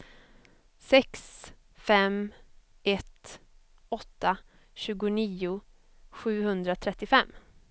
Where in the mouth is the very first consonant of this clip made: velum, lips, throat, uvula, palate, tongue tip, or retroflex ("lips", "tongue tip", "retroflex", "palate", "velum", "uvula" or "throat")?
tongue tip